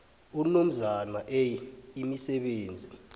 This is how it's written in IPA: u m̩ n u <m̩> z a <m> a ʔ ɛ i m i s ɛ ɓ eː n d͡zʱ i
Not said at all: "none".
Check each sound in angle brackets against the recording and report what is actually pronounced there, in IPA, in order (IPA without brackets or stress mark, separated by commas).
m̩, n